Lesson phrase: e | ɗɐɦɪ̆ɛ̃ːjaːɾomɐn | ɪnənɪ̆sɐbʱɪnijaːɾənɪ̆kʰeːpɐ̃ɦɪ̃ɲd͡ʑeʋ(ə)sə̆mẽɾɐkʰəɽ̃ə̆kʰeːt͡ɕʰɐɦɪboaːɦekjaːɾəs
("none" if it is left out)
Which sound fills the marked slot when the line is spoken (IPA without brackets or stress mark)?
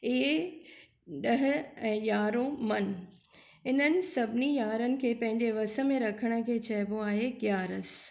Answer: ɐ